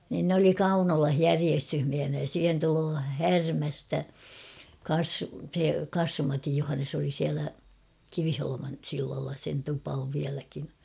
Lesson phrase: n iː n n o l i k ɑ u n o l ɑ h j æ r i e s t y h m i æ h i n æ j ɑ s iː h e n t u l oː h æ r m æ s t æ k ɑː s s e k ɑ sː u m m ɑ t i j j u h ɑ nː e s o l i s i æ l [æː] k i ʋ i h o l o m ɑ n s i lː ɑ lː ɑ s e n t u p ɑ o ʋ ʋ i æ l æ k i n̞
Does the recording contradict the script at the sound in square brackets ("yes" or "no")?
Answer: yes